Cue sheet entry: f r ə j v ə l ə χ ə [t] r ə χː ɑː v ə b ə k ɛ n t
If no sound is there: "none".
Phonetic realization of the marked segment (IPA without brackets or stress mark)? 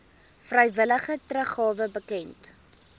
t